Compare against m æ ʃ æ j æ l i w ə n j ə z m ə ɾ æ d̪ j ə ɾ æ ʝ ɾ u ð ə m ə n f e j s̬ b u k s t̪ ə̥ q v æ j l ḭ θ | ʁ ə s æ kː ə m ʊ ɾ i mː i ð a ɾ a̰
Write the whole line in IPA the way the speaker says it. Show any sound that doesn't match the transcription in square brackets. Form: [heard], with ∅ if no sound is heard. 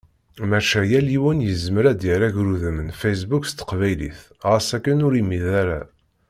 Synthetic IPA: m æ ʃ æ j æ l i w ə n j ə z m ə ɾ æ d̪ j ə ɾ æ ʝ ɾ u ð ə m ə n f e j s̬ b u k s t̪ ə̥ q v æ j l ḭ θ | ʁ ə s æ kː ə [n] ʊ ɾ i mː i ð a ɾ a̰